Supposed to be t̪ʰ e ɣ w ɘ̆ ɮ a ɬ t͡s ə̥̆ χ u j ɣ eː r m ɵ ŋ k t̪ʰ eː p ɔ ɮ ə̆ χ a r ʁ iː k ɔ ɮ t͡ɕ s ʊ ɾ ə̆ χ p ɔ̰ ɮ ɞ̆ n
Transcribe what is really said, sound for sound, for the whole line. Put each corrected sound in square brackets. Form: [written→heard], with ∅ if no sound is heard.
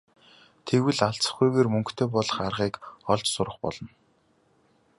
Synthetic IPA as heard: t̪ʰ e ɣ w ɘ̆ ɮ a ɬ t͡s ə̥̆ χ u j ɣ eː r m ɵ ŋ k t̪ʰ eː p ɔ ɮ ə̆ χ a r ʁ iː k ɔ ɮ t͡ɕ s ʊ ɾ ə̆ χ p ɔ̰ ɮ ɞ̆ n